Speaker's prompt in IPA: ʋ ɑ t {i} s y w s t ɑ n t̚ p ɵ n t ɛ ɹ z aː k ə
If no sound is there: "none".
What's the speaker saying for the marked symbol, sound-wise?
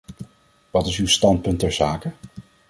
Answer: ɪ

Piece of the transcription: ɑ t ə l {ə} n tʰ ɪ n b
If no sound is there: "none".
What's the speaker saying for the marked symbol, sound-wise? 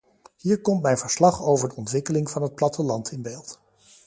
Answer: ɑ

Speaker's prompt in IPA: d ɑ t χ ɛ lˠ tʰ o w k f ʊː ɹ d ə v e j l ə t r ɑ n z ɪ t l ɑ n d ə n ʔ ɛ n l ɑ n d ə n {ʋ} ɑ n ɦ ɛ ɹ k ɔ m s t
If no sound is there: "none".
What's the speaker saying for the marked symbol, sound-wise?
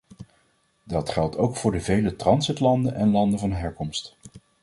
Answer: v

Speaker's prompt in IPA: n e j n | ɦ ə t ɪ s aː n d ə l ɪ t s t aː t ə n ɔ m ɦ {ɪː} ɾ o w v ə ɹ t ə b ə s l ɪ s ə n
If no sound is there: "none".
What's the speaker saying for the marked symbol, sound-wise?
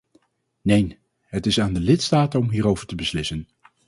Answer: iː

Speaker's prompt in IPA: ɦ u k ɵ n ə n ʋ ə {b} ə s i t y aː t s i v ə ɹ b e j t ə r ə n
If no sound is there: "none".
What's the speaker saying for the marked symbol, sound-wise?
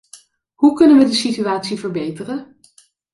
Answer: d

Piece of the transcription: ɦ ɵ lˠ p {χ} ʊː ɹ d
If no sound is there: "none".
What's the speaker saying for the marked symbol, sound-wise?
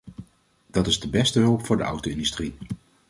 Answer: f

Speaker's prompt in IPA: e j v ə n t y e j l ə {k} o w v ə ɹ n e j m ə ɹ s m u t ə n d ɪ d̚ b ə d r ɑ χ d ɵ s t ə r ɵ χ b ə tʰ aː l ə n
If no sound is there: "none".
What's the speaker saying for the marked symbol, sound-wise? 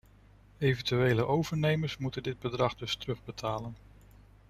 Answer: ʔ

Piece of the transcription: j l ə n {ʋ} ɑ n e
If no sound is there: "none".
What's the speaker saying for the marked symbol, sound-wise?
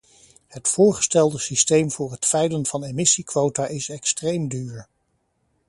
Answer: v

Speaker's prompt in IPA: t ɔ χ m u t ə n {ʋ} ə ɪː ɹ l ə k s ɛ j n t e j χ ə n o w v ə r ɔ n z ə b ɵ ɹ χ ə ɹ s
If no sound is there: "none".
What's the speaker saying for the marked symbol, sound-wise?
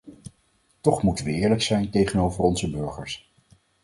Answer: ʋ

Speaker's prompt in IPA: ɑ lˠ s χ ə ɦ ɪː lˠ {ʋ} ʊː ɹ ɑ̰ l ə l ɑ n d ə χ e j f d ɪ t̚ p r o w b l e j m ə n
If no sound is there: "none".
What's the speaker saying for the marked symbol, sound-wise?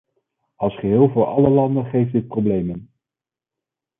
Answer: v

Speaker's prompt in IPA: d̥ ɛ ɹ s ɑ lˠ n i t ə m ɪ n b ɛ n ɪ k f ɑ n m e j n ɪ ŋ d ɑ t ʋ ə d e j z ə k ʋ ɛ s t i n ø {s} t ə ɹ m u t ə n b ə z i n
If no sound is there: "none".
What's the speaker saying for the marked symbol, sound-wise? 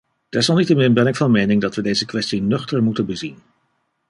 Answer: χ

